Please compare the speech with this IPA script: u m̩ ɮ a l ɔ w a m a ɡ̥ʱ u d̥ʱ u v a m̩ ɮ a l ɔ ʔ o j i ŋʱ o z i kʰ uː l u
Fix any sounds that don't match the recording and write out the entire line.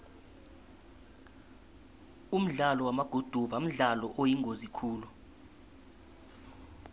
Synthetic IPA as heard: u m̩ ɮ a l ɔ w a m a ɡ̥ʱ u d̥ʱ u v a m̩ ɮ a l ɔ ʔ o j i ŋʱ o z i kʰ uː l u